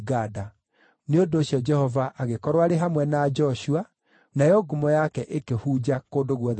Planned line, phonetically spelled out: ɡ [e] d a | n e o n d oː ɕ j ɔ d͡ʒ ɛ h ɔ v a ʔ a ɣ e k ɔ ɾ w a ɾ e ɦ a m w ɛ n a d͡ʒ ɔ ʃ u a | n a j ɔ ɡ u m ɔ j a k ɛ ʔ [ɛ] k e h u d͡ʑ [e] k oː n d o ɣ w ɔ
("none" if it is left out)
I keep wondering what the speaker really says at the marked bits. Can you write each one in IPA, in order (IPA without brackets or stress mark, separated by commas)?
a, e, a